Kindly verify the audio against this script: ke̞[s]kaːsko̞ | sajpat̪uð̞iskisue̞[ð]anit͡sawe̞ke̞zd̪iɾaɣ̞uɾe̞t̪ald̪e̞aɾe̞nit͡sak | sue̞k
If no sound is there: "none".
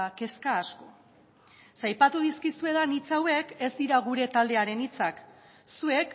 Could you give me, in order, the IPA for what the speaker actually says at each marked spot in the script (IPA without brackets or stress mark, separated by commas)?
s, ð